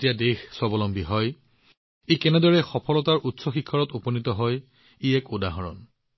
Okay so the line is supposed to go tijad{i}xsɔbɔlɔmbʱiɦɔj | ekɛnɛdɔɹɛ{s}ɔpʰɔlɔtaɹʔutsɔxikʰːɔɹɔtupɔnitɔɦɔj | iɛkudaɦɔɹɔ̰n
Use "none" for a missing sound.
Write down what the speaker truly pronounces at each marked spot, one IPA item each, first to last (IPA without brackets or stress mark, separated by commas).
e, x